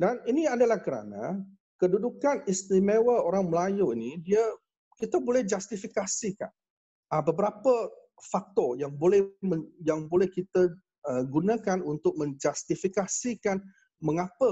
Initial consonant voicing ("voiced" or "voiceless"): voiced